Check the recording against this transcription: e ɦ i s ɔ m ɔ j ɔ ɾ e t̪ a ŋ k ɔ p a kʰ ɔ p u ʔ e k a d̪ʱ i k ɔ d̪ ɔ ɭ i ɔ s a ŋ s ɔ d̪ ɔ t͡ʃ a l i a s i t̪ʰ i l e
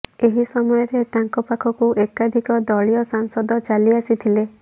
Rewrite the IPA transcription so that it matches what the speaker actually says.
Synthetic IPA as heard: e ɦ i s ɔ m ɔ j ɔ ɾ e t̪ a ŋ k ɔ p a kʰ ɔ k u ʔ e k a d̪ʱ i k ɔ d̪ ɔ ɭ i ɔ s a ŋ s ɔ d̪ ɔ t͡ʃ a l i a s i t̪ʰ i l e